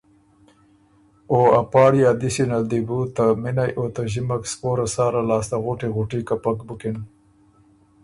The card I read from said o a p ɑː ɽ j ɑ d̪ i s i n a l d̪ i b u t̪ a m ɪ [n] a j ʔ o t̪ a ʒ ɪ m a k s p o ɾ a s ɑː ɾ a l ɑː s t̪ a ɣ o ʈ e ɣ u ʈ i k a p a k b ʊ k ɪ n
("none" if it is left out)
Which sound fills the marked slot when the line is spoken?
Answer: n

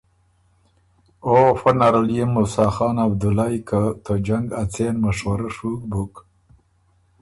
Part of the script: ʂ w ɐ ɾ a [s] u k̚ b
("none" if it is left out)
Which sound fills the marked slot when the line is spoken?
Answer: ʂ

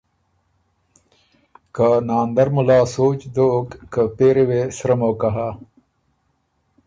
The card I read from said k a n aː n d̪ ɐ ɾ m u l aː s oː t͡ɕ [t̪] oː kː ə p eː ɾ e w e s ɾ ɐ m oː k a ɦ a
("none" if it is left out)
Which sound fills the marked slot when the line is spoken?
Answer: d̪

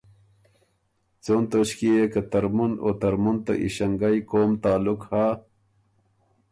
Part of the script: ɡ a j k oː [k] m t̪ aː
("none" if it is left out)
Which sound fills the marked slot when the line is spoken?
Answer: none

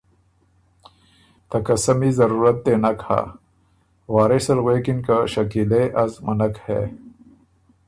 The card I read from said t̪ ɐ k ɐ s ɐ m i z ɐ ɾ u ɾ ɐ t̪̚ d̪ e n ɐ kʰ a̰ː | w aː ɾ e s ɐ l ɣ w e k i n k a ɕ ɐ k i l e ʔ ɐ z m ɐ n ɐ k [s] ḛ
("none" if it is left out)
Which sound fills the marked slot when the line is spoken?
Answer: h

